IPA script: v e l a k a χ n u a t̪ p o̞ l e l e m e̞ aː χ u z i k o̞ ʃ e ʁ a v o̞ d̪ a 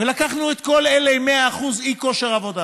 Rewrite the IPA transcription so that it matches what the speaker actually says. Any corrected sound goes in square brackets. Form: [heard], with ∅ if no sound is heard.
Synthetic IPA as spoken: v e l a k a χ n u [e] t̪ [k] o̞ l e l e m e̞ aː χ u z i k o̞ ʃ e ʁ a v o̞ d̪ a